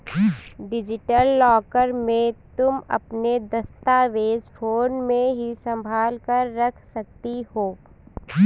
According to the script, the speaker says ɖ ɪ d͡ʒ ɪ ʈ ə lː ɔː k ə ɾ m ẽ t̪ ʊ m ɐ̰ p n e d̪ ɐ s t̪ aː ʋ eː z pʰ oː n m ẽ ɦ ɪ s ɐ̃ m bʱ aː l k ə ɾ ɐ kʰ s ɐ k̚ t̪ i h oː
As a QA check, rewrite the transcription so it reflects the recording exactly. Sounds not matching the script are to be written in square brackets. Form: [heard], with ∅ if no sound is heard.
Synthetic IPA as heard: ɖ ɪ d͡ʒ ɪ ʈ ə lː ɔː k ə ɾ m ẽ t̪ ʊ m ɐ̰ p n e d̪ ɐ s t̪ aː ʋ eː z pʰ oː n m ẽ ɦ [i] s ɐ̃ m bʱ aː l k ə [ɾː] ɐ kʰ s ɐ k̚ t̪ i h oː